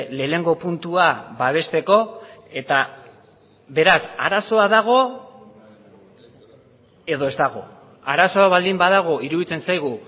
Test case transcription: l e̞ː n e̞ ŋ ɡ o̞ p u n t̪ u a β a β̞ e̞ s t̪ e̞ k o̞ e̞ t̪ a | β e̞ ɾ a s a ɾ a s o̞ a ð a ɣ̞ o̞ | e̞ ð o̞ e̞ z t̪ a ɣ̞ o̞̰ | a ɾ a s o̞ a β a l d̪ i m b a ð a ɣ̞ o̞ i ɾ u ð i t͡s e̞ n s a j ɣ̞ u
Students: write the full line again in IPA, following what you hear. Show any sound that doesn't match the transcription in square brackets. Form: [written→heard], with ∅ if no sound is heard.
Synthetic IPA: l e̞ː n e̞ ŋ ɡ o̞ p u n t̪ u a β a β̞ e̞ s t̪ e̞ k o̞ e̞ t̪ a | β e̞ ɾ a s a ɾ a s o̞ a ð a ɣ̞ o̞ | e̞ ð o̞ e̞ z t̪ a ɣ̞ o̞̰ | a ɾ a s o̞ a β a l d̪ i m b a ð a ɣ̞ o̞ i ɾ u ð i t͡s e̞ n s a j ɣ̞ u

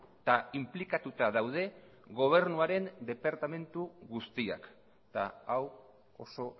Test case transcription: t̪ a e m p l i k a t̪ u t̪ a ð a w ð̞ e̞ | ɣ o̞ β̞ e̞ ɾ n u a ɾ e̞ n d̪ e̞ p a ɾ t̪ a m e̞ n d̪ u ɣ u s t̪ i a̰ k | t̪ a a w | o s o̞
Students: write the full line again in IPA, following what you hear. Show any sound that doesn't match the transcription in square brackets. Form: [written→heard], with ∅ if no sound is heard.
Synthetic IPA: t̪ a [e→i] m p l i k a t̪ u t̪ a ð a w ð̞ e̞ | ɣ o̞ β̞ e̞ ɾ n u a ɾ e̞ n d̪ e̞ p a ɾ t̪ a m e̞ n [d̪→t̪] u ɣ u s t̪ i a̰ k | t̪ a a w | o s o̞

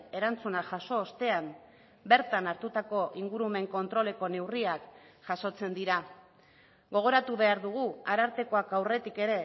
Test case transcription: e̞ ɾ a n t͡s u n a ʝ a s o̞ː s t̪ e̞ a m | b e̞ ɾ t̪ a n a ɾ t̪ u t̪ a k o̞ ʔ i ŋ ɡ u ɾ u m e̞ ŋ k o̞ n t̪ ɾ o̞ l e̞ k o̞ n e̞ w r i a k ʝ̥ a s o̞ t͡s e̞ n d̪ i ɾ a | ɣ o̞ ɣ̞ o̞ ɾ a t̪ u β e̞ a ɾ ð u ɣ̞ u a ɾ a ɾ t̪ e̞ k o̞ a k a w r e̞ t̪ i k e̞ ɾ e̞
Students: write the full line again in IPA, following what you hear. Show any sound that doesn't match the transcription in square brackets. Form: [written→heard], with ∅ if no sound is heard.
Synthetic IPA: e̞ ɾ a n t͡s u n a ʝ a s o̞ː s t̪ e̞ a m | b e̞ ɾ t̪ a n a ɾ t̪ u t̪ a k o̞ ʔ i ŋ ɡ u ɾ u m e̞ ŋ k o̞ n t̪ ɾ o̞ l e̞ k o̞ n e̞ w r i a k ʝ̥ a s o̞ t͡s e̞ n d̪ i ɾ a | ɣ o̞ ɣ̞ o̞ ɾ a t̪ u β e̞ a ɾ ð u ɣ̞ u a ɾ a ɾ t̪ e̞ k o̞ a k a w r e̞ t̪ i k e̞ ɾ e̞

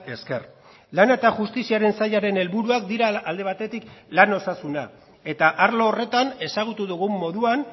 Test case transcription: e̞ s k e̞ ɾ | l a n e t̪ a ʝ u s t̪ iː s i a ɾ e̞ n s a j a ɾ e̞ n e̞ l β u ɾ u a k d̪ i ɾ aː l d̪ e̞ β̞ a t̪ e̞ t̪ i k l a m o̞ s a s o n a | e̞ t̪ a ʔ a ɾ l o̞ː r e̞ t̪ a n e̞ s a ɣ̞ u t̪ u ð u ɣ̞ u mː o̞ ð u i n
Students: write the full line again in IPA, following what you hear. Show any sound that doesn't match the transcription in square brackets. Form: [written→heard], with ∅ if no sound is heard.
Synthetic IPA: e̞ s k e̞ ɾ | l a n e t̪ a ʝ u s t̪ [iː→i] s i a ɾ e̞ n s a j a ɾ e̞ n e̞ l β u ɾ u a k d̪ i ɾ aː l d̪ e̞ β̞ a t̪ e̞ t̪ i k l a [m→n] o̞ s a s [o→u] n a | e̞ t̪ a ʔ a ɾ l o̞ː r e̞ t̪ a n e̞ s a ɣ̞ u t̪ u ð u ɣ̞ u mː o̞ ð u [i→a] n

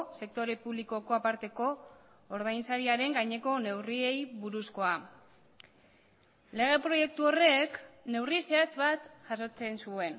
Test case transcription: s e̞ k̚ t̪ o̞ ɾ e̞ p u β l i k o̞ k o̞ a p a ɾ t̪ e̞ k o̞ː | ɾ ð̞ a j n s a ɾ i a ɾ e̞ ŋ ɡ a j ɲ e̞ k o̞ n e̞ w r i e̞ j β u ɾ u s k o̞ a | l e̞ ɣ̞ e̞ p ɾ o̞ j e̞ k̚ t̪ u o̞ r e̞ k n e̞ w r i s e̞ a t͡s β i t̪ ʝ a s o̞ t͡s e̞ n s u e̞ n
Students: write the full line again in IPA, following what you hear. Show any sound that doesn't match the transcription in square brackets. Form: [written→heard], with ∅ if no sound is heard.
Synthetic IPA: s e̞ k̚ t̪ o̞ ɾ e̞ p u β l i k o̞ k o̞ a p a ɾ t̪ e̞ k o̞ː | ɾ ð̞ a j n s a ɾ i a ɾ e̞ ŋ ɡ a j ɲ e̞ k o̞ n e̞ w r i e̞ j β u ɾ u s k o̞ a | l e̞ ɣ̞ e̞ p ɾ o̞ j e̞ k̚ t̪ u o̞ r e̞ k n e̞ w r i s e̞ a t͡s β [i→a] t̪ ʝ a s o̞ t͡s e̞ n s u e̞ n

